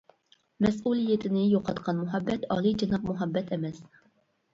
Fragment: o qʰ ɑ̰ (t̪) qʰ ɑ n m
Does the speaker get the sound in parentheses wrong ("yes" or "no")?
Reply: no